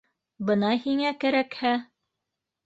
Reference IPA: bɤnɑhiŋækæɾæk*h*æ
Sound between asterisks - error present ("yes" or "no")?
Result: no